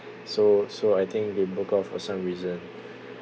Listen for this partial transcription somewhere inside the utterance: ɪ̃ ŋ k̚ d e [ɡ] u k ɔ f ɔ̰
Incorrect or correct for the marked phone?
incorrect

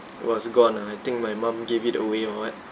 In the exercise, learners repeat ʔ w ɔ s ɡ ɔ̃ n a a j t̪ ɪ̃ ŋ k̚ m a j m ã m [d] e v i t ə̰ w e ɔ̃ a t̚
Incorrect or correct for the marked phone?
incorrect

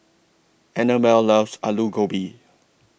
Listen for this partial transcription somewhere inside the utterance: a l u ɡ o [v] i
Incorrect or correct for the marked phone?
incorrect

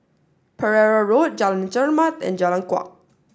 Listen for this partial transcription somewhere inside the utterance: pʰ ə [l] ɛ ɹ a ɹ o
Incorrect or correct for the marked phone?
incorrect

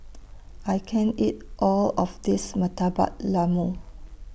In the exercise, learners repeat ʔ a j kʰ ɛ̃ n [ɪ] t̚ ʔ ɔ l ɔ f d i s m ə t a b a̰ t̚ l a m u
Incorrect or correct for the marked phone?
incorrect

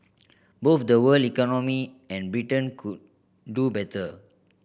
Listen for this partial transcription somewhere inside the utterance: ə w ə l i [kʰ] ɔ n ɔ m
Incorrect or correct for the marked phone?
incorrect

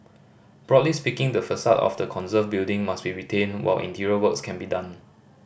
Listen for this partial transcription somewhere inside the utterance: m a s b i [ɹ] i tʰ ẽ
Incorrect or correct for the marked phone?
correct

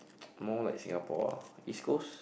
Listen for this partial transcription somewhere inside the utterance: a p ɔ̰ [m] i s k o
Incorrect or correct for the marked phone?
incorrect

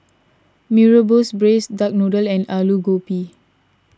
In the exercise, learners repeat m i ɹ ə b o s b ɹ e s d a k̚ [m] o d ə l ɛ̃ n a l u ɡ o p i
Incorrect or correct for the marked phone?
incorrect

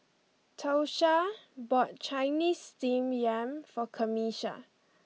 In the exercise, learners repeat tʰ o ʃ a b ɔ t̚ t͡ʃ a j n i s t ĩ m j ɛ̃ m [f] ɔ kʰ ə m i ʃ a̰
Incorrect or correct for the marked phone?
correct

